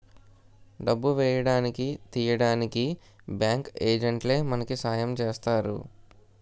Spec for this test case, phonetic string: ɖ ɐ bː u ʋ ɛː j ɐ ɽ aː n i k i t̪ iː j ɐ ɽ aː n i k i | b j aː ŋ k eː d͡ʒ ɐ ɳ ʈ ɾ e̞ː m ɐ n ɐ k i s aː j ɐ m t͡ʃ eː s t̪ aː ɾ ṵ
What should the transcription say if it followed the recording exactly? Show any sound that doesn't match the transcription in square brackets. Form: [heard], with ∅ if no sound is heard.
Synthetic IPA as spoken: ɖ ɐ bː u ʋ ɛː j ɐ ɽ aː n i k i t̪ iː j ɐ ɽ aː n i k i | b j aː ŋ k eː d͡ʒ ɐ ɳ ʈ [l] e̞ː m ɐ n ɐ k i s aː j ɐ m t͡ʃ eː s t̪ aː ɾ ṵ